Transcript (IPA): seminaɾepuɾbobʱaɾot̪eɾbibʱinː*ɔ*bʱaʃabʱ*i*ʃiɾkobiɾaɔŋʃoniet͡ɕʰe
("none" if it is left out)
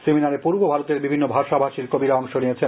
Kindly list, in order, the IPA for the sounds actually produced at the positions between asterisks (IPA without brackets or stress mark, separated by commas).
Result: o, a